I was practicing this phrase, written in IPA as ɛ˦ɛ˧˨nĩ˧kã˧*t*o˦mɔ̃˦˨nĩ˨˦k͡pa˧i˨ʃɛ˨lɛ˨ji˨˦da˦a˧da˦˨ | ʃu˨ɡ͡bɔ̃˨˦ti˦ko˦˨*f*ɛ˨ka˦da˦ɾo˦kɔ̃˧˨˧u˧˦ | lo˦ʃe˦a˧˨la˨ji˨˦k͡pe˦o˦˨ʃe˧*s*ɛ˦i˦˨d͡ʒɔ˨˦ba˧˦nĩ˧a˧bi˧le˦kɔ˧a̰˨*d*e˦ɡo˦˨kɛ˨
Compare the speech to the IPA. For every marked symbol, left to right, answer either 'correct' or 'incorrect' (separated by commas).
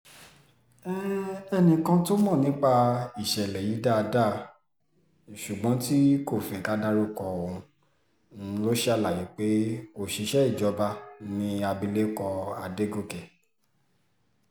correct, correct, incorrect, correct